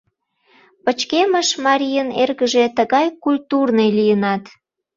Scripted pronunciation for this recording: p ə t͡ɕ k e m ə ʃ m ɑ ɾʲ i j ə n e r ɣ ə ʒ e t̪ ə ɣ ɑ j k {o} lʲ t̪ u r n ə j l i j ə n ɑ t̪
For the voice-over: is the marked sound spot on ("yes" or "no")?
no